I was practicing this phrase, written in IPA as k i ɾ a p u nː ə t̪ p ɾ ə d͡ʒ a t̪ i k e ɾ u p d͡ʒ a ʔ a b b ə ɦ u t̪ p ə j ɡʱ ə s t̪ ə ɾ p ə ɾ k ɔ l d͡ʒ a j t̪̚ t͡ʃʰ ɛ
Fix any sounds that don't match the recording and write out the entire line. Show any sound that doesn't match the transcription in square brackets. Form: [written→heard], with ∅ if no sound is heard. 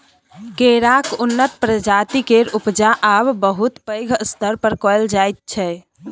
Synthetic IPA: k [i→e] ɾ a [p→k] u nː ə t̪ p ɾ ə d͡ʒ a t̪ i k e ɾ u p d͡ʒ a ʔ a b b ə ɦ u t̪ p ə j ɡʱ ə s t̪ ə ɾ p ə ɾ k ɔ l d͡ʒ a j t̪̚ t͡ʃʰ ɛ

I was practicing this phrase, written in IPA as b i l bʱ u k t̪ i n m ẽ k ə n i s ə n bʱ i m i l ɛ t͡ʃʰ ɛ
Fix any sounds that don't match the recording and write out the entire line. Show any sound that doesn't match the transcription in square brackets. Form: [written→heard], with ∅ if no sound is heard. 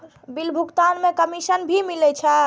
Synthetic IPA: b i l bʱ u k t̪ [i→a] n m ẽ k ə [n→m] i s ə n bʱ i m i l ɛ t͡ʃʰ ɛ

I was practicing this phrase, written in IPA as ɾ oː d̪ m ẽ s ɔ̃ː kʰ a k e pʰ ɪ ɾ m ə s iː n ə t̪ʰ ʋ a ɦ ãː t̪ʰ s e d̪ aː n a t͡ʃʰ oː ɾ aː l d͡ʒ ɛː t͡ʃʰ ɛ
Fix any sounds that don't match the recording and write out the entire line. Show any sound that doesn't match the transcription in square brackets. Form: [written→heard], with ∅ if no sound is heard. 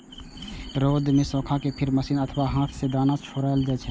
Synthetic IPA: ɾ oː d̪ m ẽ s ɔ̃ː kʰ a k e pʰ ɪ ɾ m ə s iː n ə t̪ʰ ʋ a ɦ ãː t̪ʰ s e d̪ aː n a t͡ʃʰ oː ɾ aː l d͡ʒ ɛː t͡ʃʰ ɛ

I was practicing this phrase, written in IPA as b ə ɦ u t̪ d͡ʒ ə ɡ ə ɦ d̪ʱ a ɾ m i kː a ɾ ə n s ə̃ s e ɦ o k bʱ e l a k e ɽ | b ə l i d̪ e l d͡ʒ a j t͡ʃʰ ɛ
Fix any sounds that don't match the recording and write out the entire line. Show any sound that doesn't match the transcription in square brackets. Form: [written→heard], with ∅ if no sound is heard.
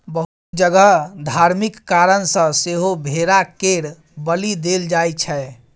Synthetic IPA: b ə ɦ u t̪ d͡ʒ ə ɡ ə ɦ d̪ʱ a ɾ m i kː a ɾ ə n s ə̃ s e ɦ o [k→∅] bʱ e [l→ɾ] a k e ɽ | b ə l i d̪ e l d͡ʒ a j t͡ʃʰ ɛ

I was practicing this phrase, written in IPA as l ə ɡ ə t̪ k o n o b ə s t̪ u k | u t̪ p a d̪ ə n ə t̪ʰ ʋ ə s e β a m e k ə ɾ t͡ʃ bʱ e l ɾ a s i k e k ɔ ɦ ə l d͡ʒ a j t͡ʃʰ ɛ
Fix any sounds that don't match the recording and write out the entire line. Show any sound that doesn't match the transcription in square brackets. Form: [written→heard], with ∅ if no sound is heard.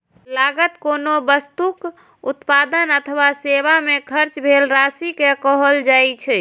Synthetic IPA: l [ə→a] ɡ ə t̪ k o n o b ə s t̪ u k | u t̪ p a d̪ ə n ə t̪ʰ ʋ [ə→a] s e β a m e [k→kʰ] ə ɾ t͡ʃ bʱ e l ɾ a s i k e k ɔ ɦ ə l d͡ʒ a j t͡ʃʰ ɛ

